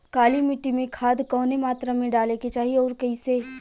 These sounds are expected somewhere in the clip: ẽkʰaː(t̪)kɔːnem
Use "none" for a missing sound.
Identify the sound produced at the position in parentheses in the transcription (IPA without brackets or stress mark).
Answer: d̪